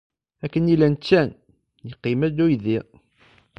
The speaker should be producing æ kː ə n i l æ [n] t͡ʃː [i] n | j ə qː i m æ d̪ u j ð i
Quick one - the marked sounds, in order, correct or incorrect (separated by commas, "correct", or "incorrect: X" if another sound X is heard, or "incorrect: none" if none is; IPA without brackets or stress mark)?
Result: correct, incorrect: æ